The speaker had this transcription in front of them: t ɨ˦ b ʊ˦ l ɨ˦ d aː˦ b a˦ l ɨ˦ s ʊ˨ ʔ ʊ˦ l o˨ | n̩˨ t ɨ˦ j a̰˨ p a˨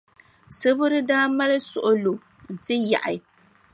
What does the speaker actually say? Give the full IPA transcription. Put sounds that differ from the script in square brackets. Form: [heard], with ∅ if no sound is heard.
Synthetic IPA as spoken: [s] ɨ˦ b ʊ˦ [ɾ] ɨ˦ d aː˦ [m] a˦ l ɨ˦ s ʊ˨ ʔ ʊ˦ l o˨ | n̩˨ t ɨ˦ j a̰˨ [ʔ] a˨